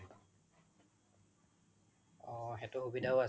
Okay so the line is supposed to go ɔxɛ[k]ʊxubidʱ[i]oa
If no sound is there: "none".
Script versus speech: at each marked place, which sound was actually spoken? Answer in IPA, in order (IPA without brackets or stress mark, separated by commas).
t, a